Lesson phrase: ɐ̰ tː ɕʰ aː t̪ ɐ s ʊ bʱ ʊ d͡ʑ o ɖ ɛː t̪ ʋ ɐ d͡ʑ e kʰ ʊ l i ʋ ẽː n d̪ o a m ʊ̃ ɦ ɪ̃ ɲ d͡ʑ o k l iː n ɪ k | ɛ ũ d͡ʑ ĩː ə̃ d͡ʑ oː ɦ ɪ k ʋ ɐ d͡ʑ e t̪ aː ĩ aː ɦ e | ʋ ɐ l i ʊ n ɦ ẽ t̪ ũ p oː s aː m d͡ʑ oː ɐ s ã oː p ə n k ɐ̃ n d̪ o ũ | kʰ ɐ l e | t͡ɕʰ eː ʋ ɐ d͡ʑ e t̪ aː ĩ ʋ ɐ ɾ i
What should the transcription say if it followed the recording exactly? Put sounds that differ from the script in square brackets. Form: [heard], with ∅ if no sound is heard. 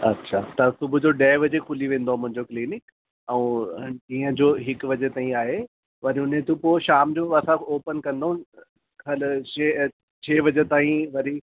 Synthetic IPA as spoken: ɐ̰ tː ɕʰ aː t̪ ɐ s ʊ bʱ ʊ d͡ʑ o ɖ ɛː [∅] ʋ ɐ d͡ʑ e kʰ ʊ l i ʋ ẽː n d̪ o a m ʊ̃ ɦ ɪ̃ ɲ d͡ʑ o k l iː n ɪ k | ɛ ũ d͡ʑ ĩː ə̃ d͡ʑ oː ɦ ɪ k ʋ ɐ d͡ʑ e t̪ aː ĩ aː ɦ e | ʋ ɐ [ɾ] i ʊ n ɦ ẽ t̪ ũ p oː [ʃ] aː m d͡ʑ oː ɐ s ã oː p ə n k ɐ̃ n d̪ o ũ | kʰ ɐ l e | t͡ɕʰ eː ʋ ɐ d͡ʑ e t̪ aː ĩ ʋ ɐ ɾ i